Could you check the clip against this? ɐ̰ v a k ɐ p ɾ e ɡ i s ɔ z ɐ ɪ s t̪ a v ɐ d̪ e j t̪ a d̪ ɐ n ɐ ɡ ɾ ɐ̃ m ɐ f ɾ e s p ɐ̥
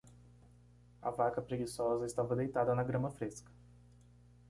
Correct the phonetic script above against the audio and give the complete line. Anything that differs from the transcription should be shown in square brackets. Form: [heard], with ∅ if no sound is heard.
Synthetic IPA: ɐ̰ v a k ɐ p ɾ e ɡ i s ɔ z ɐ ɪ s t̪ a v ɐ d̪ e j t̪ a d̪ ɐ n ɐ ɡ ɾ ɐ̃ m ɐ f ɾ e s [k] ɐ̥